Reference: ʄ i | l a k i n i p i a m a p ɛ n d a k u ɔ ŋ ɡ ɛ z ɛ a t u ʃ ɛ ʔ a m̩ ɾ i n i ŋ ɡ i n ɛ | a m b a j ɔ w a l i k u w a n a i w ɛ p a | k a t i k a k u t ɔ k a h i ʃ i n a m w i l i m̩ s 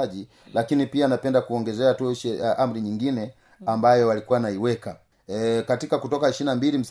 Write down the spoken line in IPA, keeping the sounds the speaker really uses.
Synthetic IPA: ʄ i | l a k i n i p i a n a p ɛ n d a k u ɔ ŋ ɡ ɛ z ɛ a t u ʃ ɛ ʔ a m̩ ɾ i ɲ i ŋ ɡ i n ɛ | a m b a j ɔ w a l i k u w a n a i w ɛ k a | k a t i k a k u t ɔ k a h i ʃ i n a m b i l i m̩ s